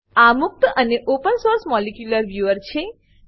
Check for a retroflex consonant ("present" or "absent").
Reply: absent